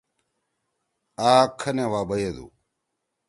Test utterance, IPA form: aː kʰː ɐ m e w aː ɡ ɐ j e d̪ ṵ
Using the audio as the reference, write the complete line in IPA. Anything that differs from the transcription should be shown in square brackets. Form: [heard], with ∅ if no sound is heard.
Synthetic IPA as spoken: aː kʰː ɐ [n] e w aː [b] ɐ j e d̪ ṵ